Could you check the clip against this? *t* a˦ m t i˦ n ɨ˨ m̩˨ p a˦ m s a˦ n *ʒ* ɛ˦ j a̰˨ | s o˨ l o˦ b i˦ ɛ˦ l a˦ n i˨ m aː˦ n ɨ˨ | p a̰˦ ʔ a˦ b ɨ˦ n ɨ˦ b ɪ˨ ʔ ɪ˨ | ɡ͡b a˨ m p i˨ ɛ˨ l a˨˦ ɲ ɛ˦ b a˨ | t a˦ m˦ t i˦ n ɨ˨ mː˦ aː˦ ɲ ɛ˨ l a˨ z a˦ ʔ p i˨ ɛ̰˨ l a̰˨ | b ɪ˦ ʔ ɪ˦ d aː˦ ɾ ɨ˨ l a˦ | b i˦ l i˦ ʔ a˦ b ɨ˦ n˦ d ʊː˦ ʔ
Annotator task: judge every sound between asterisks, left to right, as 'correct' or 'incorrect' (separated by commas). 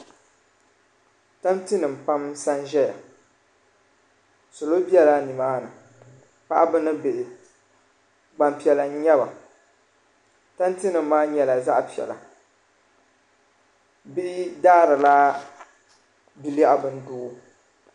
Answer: correct, correct